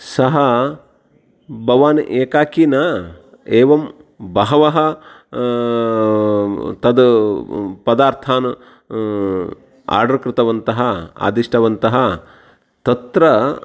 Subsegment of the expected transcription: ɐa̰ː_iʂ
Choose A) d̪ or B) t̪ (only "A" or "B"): A